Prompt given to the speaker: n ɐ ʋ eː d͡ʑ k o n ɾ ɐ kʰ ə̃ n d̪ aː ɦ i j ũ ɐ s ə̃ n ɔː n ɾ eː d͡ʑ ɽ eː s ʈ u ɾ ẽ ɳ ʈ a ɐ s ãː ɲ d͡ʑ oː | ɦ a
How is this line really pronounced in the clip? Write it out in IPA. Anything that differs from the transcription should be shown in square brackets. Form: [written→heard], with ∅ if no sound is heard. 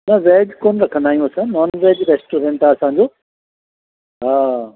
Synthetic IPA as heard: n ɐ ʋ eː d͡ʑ k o n ɾ ɐ kʰ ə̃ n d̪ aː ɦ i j ũ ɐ s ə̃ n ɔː n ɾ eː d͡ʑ [ɽ→ɾ] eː s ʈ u ɾ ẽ ɳ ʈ a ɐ s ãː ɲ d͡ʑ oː | ɦ a